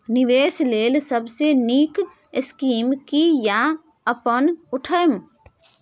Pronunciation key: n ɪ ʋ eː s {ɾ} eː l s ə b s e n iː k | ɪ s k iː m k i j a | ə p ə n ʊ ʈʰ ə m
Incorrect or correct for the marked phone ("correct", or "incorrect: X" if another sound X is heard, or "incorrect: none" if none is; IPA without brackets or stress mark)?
incorrect: l